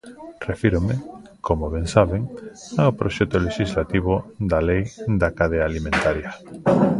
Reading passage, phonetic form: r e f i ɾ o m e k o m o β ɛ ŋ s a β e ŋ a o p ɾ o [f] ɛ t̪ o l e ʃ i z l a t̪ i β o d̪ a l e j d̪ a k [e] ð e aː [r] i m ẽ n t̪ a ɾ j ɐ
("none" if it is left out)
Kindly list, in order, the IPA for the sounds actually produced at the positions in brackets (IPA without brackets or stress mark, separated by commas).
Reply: ʃ, a, l